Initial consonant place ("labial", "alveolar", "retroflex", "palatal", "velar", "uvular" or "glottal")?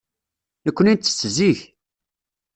alveolar